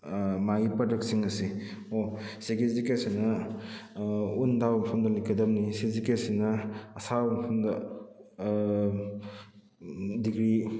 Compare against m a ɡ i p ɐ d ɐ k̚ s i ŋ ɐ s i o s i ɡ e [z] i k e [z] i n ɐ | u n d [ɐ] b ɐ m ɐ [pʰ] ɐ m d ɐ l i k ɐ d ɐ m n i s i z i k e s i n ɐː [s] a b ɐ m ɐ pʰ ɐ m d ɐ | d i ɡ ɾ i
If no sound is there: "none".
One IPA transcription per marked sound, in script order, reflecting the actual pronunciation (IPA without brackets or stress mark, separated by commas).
z, s, a, pʰ, s